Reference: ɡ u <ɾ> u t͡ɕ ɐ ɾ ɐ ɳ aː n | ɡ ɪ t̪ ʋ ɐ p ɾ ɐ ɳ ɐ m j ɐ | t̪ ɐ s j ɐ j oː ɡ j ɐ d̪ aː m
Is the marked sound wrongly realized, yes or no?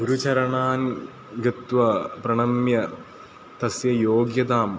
no